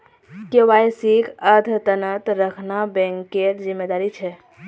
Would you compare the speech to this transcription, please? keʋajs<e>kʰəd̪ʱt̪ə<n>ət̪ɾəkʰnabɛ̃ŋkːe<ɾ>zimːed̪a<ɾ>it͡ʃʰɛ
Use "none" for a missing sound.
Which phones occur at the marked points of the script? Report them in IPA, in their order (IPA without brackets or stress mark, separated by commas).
i, n, ɾ, ɾ